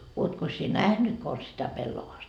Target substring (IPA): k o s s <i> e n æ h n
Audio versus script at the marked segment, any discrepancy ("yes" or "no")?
no